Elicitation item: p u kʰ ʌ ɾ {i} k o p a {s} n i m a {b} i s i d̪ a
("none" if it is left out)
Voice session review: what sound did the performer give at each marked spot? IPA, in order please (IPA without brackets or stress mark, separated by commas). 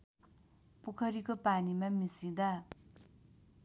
i, none, m